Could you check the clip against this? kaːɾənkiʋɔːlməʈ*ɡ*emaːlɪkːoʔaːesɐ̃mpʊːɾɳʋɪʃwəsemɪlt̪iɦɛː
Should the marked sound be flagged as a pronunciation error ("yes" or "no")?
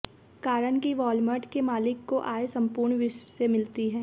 yes